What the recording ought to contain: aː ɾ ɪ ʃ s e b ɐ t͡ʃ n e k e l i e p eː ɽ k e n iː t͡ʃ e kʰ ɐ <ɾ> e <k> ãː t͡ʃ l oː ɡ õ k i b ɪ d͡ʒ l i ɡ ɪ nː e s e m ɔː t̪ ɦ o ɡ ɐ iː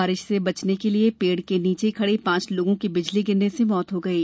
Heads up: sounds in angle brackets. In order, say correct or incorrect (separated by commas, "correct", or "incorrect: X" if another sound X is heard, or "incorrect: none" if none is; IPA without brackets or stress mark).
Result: incorrect: ɽ, incorrect: p